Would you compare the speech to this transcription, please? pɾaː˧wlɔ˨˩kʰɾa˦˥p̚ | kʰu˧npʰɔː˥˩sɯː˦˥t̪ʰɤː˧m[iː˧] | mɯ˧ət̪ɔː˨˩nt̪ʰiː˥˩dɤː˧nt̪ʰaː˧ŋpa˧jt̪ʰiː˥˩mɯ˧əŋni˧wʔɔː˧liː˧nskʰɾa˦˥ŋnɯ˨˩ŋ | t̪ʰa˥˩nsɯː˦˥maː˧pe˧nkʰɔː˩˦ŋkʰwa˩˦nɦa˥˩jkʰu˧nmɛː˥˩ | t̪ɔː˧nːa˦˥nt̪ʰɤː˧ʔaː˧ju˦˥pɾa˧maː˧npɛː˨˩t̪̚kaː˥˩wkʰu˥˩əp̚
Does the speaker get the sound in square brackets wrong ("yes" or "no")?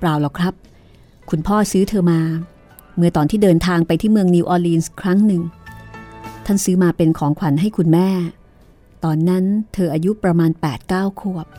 yes